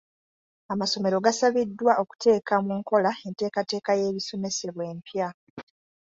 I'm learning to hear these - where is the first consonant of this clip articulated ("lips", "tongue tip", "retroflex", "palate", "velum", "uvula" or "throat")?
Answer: lips